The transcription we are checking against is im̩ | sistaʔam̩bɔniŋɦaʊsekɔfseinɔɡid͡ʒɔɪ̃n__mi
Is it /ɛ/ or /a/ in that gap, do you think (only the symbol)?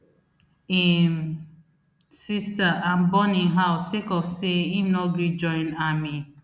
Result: a